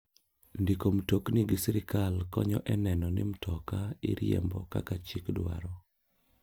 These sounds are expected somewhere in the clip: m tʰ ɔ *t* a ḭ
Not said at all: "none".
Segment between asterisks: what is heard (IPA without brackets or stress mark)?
k